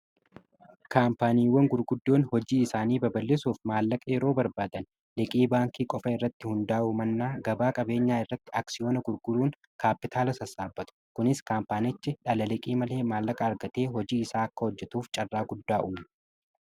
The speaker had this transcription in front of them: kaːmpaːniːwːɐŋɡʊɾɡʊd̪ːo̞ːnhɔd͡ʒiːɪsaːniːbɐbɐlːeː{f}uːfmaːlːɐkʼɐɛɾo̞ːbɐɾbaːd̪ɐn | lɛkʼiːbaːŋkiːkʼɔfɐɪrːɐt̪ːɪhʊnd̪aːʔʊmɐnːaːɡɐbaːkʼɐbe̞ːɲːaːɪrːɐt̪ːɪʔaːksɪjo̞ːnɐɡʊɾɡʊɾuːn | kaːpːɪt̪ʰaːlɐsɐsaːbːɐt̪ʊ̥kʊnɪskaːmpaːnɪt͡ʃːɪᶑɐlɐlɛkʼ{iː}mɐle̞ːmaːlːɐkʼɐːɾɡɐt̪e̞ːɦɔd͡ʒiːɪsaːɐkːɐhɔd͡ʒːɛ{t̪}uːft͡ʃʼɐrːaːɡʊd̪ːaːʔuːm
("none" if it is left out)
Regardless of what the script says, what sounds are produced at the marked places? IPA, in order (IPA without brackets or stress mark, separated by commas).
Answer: s, iː, t̪